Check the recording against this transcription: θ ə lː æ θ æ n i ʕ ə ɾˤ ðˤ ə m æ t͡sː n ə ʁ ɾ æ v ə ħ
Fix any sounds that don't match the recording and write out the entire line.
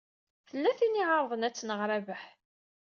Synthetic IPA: θ ə lː æ θ i n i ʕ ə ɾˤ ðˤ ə n æ t͡sː n ə ʁ ɾ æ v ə ħ